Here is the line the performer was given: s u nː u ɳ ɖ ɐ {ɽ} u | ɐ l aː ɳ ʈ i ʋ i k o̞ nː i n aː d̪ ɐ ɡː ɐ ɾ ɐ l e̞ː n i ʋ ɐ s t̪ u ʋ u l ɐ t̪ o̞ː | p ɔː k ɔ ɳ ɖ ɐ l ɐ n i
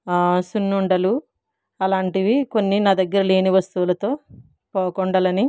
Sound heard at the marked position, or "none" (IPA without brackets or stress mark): l